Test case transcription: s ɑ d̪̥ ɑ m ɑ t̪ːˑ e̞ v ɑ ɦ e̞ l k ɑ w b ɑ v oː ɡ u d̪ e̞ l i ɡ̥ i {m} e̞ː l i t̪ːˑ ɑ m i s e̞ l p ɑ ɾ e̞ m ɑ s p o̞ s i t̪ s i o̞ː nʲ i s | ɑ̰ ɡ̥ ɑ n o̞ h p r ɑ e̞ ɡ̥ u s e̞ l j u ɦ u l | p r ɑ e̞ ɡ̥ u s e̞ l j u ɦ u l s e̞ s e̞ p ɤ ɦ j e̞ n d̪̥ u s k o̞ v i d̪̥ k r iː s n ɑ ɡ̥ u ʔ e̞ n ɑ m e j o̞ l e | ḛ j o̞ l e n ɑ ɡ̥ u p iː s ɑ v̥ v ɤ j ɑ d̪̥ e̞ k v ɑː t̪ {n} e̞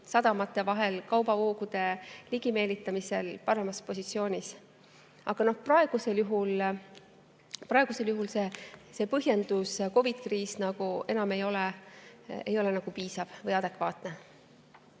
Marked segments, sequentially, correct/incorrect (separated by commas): correct, correct